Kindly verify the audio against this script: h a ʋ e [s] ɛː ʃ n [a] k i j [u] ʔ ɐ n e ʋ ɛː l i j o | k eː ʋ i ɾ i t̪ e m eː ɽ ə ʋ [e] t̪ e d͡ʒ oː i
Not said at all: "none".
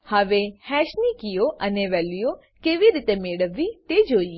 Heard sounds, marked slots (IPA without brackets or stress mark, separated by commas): h, i, o, i